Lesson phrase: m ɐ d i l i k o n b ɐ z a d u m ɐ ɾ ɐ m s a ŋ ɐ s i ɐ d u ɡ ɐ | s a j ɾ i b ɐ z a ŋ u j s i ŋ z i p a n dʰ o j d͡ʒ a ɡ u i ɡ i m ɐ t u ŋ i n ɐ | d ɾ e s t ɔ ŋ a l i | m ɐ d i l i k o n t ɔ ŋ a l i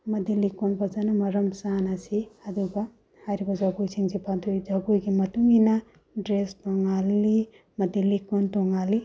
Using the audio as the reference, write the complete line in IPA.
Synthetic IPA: m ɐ d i l i k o n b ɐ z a n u m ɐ ɾ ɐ m s a n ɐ s i ɐ d u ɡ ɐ | h a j ɾ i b ɐ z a ɡ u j s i ŋ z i p a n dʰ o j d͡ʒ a ɡ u j ɡ i m ɐ t u ŋ i n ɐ | d ɾ e s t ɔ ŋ a l i | m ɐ d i l i k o n t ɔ ŋ a l i